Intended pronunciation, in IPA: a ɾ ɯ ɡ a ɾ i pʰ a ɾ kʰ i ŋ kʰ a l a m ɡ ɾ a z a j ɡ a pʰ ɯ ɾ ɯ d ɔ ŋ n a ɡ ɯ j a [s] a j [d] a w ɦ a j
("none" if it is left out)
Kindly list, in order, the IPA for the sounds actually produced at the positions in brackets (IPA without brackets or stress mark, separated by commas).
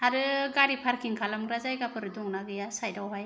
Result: s, d